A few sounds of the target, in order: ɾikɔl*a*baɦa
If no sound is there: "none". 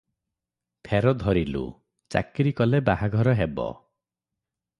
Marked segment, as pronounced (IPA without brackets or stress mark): e